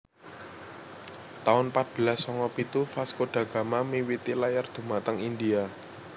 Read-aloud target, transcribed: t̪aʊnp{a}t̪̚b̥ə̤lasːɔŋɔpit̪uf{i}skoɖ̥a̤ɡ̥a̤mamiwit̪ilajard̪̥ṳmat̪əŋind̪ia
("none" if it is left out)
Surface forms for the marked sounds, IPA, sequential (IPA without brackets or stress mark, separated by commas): a, a